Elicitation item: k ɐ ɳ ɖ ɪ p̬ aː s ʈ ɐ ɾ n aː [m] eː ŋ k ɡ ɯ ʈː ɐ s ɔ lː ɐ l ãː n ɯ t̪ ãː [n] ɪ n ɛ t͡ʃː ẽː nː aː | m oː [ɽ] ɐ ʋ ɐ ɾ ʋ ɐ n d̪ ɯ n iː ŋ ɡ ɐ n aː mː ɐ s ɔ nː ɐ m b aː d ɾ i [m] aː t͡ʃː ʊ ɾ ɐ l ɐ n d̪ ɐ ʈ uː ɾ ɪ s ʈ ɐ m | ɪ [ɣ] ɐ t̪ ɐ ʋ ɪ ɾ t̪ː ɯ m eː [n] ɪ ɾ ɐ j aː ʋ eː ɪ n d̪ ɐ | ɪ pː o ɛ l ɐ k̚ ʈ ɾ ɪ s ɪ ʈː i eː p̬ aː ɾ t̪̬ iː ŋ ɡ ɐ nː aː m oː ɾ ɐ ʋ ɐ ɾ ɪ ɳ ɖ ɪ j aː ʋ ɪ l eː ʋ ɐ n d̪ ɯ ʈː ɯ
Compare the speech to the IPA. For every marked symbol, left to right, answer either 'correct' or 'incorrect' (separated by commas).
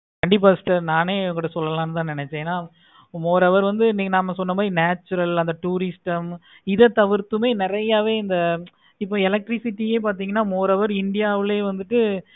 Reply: incorrect, correct, incorrect, incorrect, incorrect, correct